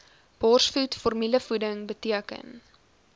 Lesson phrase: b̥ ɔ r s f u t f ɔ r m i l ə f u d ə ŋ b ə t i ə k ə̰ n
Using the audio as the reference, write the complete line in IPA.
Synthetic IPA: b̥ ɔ r s f u t f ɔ r m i l ə f u d ə ŋ b ə t i ə k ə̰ n